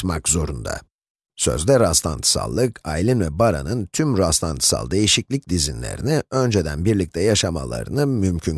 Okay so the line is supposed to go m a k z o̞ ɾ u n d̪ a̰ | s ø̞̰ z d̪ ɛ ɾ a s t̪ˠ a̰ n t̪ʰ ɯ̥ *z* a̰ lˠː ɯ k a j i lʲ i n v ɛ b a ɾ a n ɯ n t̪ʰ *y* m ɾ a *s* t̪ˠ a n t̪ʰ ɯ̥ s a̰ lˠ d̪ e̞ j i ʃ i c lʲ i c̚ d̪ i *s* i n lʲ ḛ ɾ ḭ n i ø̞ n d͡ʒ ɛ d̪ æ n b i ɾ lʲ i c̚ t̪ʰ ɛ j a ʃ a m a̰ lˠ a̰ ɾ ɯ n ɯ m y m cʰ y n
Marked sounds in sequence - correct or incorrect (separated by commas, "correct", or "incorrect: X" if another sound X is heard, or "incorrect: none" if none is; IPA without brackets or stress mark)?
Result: incorrect: s, correct, correct, incorrect: z